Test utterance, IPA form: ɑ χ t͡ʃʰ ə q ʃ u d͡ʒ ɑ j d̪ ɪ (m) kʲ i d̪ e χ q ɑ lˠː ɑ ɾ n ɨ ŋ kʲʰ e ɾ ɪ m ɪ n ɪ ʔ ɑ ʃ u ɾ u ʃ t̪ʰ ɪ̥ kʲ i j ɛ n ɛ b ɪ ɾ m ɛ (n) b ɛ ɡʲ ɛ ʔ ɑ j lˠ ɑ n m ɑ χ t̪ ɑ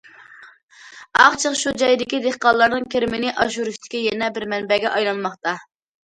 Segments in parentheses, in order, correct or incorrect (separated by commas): incorrect, correct